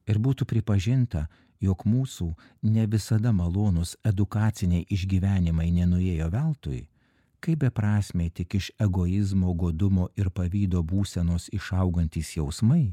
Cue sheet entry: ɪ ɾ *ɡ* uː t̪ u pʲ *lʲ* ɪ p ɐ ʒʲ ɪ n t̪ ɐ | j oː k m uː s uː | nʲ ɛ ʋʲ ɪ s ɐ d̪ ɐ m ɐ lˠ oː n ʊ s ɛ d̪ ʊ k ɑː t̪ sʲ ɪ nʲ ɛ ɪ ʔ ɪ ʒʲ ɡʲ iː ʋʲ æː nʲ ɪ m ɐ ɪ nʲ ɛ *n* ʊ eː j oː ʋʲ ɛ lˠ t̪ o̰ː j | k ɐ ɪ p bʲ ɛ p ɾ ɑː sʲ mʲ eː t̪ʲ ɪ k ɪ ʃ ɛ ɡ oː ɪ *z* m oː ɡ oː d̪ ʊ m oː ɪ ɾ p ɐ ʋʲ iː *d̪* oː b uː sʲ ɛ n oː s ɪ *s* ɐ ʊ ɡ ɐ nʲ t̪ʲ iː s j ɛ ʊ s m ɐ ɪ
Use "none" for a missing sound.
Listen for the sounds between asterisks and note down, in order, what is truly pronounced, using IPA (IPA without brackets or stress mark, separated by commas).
b, ɾʲ, n, z, d̪, ʃ